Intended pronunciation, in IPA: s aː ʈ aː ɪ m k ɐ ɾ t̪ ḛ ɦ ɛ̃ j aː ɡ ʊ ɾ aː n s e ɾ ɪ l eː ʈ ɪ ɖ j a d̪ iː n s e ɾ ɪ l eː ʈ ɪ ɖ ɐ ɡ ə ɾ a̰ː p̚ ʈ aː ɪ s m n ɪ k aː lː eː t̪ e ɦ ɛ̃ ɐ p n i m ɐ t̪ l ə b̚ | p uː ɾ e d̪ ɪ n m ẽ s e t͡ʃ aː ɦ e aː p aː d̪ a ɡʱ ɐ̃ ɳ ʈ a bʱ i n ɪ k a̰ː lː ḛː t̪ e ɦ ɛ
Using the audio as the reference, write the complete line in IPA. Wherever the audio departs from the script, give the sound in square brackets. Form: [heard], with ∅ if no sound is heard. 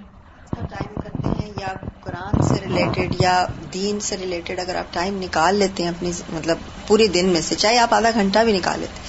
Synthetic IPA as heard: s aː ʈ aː ɪ m k ɐ ɾ t̪ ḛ ɦ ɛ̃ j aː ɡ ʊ ɾ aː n s e ɾ ɪ l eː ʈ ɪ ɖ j a d̪ iː n s e ɾ ɪ l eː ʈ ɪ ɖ ɐ ɡ ə ɾ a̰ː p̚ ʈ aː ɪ [∅] m n ɪ k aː lː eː t̪ e ɦ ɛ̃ ɐ p n i m ɐ t̪ l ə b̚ | p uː ɾ e d̪ ɪ n m ẽ s e t͡ʃ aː ɦ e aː p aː d̪ a ɡʱ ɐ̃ ɳ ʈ a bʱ i n ɪ k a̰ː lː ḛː t̪ e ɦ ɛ